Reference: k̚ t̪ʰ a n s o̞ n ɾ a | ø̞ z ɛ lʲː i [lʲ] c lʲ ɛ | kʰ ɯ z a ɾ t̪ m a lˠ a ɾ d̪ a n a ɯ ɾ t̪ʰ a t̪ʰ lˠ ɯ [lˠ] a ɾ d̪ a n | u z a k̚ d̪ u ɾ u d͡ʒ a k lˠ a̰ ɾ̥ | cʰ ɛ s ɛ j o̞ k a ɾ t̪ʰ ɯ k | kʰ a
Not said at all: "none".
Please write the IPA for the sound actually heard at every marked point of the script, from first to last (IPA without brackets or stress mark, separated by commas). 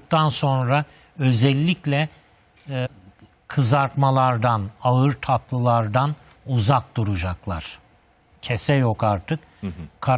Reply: none, lˠ